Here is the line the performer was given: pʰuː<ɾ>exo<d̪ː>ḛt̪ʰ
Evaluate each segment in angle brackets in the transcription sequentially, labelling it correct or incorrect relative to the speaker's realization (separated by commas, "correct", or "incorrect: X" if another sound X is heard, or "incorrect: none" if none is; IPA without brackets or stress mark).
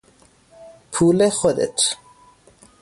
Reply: incorrect: l, incorrect: d̪